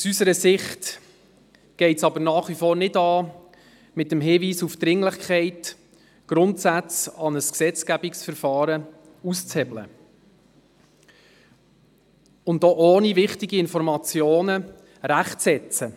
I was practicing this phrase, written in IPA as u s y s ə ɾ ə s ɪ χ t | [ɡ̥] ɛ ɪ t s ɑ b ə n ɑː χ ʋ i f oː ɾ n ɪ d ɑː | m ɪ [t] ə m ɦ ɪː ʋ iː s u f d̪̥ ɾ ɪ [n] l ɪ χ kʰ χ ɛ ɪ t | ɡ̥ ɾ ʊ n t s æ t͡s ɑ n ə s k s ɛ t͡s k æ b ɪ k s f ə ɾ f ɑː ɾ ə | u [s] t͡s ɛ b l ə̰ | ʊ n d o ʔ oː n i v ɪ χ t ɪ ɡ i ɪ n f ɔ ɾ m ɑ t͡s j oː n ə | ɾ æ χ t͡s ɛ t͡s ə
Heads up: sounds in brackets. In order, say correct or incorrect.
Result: correct, correct, incorrect: ŋ, correct

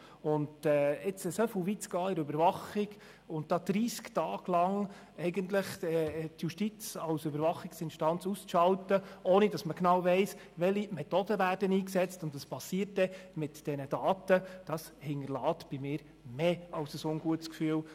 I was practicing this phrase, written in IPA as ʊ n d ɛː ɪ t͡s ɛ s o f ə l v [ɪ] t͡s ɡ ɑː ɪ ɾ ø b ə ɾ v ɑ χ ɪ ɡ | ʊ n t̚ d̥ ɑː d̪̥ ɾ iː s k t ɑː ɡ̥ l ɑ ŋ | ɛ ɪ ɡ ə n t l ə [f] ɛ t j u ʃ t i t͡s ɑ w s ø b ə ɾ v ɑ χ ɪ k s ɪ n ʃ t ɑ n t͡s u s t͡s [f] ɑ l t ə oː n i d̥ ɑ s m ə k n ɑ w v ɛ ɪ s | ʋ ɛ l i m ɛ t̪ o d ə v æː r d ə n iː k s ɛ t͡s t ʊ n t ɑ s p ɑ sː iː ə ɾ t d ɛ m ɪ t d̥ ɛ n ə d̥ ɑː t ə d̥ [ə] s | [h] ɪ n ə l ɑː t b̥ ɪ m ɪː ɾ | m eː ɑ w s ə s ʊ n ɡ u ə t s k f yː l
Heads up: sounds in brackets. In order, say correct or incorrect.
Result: incorrect: i, incorrect: χ, incorrect: ʃ, incorrect: ɑ, correct

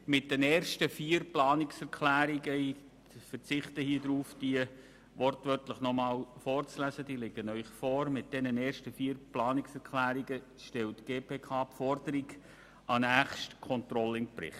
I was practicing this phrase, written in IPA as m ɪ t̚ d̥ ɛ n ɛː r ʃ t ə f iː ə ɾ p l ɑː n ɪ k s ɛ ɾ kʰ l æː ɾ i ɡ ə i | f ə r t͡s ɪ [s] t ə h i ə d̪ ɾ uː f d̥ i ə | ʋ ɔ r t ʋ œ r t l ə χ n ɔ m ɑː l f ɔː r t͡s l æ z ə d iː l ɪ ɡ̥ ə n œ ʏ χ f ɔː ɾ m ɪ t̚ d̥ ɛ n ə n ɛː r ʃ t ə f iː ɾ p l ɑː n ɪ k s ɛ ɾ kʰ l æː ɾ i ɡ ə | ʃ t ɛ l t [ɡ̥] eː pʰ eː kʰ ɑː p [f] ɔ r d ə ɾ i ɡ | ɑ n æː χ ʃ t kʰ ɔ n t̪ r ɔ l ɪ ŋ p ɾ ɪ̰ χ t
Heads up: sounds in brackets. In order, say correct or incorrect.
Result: incorrect: χ, correct, correct

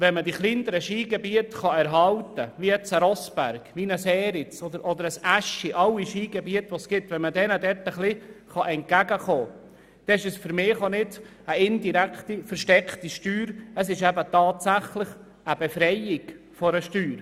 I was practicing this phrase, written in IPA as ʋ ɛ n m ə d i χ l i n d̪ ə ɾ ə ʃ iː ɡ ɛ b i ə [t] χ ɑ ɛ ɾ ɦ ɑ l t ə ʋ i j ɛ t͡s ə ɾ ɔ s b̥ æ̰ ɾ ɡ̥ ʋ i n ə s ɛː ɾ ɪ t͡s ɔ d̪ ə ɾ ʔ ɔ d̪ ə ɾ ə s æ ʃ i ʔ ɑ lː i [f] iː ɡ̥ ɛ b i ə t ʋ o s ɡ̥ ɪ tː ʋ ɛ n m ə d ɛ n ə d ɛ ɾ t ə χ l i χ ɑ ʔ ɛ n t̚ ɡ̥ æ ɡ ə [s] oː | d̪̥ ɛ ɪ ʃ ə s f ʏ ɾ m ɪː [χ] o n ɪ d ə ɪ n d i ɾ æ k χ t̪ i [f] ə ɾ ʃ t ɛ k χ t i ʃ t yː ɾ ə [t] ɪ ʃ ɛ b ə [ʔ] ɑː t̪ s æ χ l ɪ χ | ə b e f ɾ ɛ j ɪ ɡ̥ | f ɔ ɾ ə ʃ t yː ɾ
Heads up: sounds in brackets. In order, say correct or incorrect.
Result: correct, incorrect: ʃ, incorrect: χ, correct, correct, incorrect: s, incorrect: t

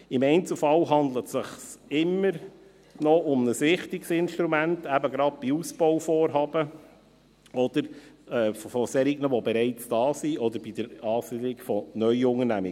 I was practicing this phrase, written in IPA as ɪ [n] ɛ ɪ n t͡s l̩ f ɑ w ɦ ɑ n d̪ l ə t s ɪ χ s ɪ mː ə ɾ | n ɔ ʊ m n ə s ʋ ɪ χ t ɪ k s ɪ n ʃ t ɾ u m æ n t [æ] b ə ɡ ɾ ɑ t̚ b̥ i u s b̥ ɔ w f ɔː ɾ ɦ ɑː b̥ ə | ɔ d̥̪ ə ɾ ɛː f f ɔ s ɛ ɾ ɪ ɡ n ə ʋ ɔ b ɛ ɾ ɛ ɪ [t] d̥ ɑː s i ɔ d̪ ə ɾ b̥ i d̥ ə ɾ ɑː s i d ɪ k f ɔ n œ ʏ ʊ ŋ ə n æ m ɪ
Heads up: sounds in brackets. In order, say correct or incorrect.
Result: incorrect: m, correct, incorrect: t͡s

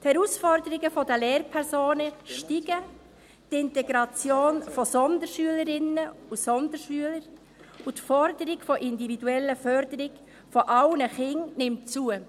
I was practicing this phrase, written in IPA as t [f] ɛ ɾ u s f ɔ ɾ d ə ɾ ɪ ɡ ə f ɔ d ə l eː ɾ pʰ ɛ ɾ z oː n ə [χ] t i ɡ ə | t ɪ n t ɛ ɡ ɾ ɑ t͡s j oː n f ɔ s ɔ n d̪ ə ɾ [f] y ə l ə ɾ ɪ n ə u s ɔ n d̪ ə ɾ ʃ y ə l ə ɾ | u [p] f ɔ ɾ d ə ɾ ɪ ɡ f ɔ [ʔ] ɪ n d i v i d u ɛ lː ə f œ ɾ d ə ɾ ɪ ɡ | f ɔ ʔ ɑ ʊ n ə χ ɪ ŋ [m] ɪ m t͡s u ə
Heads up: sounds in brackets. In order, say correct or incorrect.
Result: incorrect: h, incorrect: ʃ, incorrect: ʃ, incorrect: t, correct, incorrect: n

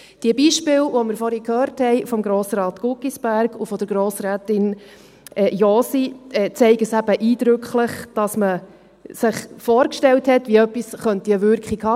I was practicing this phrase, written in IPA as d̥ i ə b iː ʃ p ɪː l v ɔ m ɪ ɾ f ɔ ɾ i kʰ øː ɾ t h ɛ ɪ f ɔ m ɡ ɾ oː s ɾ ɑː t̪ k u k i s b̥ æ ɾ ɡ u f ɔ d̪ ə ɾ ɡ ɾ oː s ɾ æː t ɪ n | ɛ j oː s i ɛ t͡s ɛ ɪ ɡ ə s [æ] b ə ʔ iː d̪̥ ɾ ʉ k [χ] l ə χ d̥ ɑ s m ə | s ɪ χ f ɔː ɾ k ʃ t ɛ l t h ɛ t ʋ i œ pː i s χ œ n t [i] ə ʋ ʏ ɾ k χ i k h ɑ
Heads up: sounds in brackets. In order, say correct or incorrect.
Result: correct, correct, correct

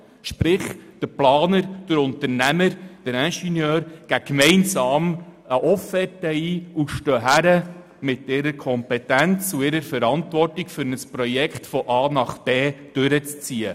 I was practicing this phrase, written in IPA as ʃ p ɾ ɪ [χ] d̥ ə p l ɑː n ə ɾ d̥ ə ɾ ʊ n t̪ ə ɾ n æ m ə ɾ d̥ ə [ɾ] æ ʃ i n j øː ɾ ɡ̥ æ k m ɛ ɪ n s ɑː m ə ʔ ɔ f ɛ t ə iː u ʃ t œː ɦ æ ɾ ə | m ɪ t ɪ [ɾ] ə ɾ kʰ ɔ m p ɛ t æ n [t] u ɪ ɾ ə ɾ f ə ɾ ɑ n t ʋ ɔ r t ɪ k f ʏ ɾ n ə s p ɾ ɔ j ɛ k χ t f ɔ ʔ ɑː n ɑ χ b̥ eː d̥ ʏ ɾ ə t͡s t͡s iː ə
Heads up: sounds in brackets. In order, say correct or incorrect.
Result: correct, correct, correct, incorrect: t͡s

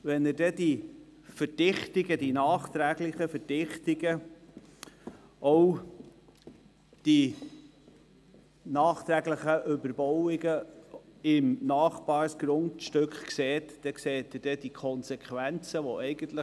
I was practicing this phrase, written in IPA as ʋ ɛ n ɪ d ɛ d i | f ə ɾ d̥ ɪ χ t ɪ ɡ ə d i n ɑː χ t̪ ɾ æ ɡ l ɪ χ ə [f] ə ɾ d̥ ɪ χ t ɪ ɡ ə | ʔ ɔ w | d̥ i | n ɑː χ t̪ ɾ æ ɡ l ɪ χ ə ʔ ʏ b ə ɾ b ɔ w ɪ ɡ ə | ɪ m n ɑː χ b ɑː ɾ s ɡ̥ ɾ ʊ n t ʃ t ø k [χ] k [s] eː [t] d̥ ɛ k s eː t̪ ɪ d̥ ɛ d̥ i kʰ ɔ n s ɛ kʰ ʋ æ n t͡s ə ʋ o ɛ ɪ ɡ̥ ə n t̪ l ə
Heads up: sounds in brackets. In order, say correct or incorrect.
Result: correct, correct, correct, correct

